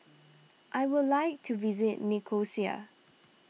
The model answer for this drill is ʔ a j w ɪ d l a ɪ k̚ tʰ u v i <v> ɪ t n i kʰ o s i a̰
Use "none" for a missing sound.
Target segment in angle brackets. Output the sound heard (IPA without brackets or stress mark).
z